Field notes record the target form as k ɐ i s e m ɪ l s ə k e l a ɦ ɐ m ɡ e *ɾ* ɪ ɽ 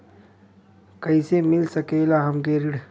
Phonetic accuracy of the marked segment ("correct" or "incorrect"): correct